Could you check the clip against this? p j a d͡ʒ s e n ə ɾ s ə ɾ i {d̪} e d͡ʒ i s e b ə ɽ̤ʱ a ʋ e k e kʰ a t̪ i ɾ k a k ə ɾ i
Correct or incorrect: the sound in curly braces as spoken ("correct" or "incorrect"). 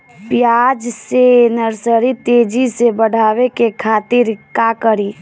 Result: incorrect